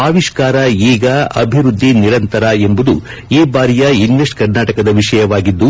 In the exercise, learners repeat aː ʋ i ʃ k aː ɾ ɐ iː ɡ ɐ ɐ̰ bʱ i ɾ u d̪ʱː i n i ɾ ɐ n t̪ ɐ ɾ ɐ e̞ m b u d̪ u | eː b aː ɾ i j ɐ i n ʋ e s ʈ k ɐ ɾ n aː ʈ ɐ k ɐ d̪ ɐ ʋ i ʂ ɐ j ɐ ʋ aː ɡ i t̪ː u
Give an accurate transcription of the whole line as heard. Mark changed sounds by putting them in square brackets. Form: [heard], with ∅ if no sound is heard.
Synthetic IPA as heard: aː ʋ i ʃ k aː ɾ ɐ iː ɡ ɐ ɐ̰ bʱ i ɾ u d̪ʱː i n i ɾ ɐ n t̪ ɐ ɾ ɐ e̞ m b u d̪ u | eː b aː ɾ i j ɐ i n ʋ e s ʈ k ɐ ɾ n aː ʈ ɐ k ɐ d̪ ɐ ʋ i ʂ ɐ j ɐ ʋ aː ɡ i [d̪ː] u

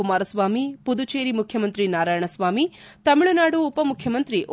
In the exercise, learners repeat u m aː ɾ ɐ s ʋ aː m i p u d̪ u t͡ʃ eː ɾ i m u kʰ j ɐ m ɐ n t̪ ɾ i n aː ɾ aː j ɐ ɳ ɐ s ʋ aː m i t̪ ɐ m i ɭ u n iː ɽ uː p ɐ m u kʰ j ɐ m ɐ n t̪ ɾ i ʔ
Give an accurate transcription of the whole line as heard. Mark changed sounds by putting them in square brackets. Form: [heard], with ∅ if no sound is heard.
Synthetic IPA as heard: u m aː ɾ ɐ s ʋ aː m i p u d̪ u t͡ʃ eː ɾ i m u kʰ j ɐ m ɐ n t̪ ɾ i n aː ɾ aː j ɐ ɳ ɐ s ʋ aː m i t̪ ɐ m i ɭ u n [aː] ɽ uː p ɐ m u kʰ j ɐ m ɐ n t̪ ɾ i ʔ

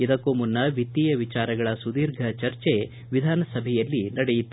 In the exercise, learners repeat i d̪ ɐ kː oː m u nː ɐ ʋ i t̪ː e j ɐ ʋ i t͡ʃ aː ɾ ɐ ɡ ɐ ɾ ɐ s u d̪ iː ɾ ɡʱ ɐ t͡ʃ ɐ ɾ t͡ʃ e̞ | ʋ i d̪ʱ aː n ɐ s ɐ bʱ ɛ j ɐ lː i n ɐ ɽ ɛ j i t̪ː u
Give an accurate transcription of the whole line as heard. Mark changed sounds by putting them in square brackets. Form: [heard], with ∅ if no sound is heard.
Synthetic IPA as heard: i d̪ ɐ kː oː m u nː ɐ ʋ i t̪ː [i] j ɐ ʋ i t͡ʃ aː ɾ ɐ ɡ ɐ [ɭ] ɐ s u d̪ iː ɾ ɡʱ ɐ t͡ʃ ɐ ɾ t͡ʃ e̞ | ʋ i d̪ʱ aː n ɐ s ɐ bʱ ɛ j ɐ lː i n ɐ ɽ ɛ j i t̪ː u

